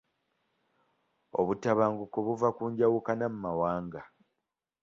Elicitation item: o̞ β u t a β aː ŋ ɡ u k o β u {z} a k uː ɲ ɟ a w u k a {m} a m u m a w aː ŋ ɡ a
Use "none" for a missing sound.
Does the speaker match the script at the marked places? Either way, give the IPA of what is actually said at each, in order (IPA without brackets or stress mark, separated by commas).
v, n